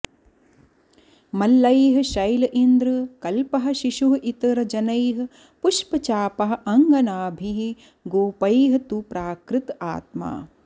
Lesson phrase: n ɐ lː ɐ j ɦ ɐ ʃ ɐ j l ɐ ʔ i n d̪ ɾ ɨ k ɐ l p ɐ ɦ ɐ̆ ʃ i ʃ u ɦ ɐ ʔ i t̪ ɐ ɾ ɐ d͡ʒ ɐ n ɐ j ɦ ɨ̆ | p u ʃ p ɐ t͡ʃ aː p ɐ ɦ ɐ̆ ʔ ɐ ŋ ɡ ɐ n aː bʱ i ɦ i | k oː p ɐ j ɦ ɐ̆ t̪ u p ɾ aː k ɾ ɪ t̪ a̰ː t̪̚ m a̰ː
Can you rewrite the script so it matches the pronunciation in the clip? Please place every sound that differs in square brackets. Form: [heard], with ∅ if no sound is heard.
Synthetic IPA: [m] ɐ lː ɐ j ɦ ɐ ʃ ɐ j l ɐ ʔ i n d̪ ɾ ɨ k ɐ l p ɐ ɦ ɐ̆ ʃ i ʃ u ɦ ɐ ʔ i t̪ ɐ ɾ ɐ d͡ʒ ɐ n ɐ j ɦ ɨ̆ | p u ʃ p ɐ t͡ʃ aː p ɐ ɦ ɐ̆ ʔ ɐ ŋ ɡ ɐ n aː bʱ i ɦ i | [ɡ] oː p ɐ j ɦ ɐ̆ t̪ u p ɾ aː k ɾ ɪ t̪ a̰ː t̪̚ m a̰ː